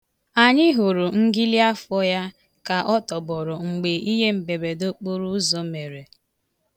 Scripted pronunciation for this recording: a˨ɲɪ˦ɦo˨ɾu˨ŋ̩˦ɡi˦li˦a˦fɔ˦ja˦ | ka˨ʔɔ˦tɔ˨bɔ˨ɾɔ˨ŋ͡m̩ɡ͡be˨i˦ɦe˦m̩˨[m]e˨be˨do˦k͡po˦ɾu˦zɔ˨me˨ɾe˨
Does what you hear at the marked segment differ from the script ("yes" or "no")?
yes